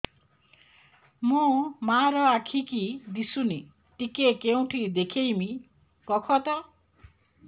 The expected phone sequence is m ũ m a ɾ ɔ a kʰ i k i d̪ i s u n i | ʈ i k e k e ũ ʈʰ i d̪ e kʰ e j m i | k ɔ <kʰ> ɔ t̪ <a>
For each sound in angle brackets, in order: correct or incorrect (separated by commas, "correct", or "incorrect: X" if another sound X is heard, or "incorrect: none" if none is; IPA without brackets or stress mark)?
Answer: correct, correct